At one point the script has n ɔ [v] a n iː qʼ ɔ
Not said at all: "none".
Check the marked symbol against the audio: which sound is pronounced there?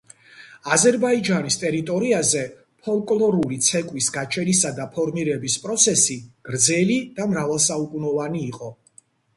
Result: v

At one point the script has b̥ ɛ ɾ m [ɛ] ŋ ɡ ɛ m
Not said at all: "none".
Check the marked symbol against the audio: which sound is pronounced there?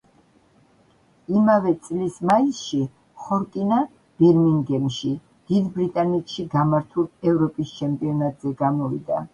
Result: i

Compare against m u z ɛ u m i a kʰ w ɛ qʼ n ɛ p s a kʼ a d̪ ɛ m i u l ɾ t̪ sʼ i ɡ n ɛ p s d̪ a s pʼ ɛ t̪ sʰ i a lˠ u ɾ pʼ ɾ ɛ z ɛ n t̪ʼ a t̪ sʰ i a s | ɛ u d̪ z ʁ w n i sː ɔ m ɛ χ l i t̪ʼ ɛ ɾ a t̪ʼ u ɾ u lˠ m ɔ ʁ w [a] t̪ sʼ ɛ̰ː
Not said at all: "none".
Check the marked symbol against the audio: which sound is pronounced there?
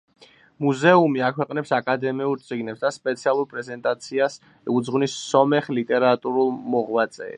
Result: a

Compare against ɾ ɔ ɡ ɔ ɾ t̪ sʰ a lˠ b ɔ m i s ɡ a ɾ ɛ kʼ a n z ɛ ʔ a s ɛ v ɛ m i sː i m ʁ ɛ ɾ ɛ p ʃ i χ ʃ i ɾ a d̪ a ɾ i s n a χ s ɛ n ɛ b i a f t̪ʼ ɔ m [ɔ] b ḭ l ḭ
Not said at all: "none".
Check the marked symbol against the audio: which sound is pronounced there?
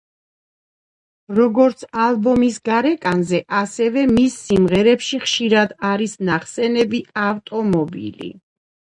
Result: ɔ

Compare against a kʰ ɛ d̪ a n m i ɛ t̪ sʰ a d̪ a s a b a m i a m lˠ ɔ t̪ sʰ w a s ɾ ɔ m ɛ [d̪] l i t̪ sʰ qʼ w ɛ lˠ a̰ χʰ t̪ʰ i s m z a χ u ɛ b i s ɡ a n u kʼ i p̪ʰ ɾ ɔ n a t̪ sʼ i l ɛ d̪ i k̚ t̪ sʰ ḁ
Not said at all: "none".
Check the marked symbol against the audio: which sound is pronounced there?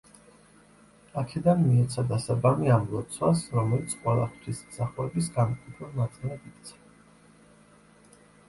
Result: none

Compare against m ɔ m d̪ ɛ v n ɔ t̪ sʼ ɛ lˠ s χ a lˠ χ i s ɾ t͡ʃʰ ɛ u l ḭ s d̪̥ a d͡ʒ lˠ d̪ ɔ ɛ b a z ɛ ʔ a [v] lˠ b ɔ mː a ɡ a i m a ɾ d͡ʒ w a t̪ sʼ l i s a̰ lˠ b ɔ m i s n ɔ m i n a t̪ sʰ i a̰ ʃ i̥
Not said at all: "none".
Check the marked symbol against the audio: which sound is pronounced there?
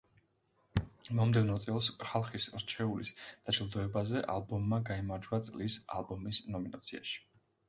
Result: none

